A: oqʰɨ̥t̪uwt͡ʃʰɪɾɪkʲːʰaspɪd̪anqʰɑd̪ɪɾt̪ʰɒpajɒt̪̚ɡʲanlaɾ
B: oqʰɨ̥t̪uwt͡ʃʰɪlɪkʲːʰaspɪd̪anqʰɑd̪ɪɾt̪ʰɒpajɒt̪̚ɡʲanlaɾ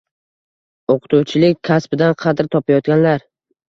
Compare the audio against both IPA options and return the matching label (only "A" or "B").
B